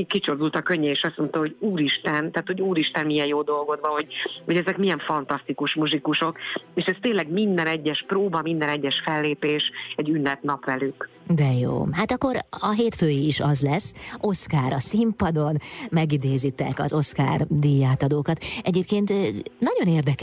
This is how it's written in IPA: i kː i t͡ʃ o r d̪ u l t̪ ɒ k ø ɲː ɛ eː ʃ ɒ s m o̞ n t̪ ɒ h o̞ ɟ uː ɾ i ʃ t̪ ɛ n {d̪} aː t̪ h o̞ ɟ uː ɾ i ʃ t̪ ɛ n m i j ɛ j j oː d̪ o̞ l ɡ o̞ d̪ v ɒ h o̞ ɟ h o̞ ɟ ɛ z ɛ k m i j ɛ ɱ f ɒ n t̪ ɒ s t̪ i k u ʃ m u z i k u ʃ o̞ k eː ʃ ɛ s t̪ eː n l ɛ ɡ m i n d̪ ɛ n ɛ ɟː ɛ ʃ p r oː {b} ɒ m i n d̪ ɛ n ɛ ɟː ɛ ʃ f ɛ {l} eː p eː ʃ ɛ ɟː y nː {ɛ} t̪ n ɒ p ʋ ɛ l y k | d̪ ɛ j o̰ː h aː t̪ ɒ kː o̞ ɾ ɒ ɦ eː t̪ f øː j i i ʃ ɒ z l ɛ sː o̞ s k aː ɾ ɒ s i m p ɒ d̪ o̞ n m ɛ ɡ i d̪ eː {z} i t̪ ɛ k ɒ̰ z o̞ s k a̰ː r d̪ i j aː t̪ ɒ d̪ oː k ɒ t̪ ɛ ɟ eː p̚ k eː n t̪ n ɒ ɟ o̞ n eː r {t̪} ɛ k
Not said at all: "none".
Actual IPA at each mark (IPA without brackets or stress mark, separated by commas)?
t̪, b, lː, ɛ, z, d̪